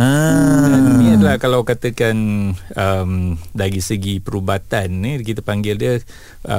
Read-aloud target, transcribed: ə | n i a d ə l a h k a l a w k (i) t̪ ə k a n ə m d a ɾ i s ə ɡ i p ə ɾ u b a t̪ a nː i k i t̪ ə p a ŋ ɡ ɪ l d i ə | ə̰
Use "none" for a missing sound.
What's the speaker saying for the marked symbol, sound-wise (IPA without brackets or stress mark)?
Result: a